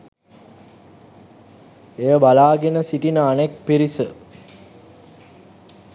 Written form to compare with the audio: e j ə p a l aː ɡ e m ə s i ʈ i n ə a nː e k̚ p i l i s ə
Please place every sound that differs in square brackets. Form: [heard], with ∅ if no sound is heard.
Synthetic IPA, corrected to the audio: e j ə [b] a l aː ɡ e [n] ə s i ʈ i n ə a [n] e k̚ p i [ɾ] i s ə